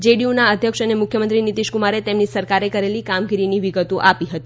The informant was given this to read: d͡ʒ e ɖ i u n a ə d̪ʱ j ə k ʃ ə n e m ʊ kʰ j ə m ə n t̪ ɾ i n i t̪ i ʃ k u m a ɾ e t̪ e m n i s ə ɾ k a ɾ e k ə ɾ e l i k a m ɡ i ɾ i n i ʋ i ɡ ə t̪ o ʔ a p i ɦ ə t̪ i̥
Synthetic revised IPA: d͡ʒ e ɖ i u n a ə d̪ʱ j ə k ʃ ə n e m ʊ kʰ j ə m ə n t̪ ɾ i n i t̪ i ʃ k u m a ɾ e t̪ e m n i s ə ɾ k a ɾ e k ə ɾ e l i k a m ɡ i ɾ i n i ʋ i ɡ ə t̪ o ʔ a p i ɦ ə t̪ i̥